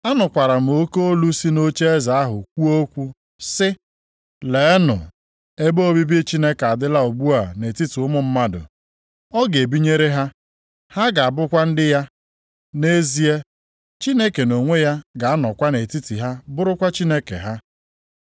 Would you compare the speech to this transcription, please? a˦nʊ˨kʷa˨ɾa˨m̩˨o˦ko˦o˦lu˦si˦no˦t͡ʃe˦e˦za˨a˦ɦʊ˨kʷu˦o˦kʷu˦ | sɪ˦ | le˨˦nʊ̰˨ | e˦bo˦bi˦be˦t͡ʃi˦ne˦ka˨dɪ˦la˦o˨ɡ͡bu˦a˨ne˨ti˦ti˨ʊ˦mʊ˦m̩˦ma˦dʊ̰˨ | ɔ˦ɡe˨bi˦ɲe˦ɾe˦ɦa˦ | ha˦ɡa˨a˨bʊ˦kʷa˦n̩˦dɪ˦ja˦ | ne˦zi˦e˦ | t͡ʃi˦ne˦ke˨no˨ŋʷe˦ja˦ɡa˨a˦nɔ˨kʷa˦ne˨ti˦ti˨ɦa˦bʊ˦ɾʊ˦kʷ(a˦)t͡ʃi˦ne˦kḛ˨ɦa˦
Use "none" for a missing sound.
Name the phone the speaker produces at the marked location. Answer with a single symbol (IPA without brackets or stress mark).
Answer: a˦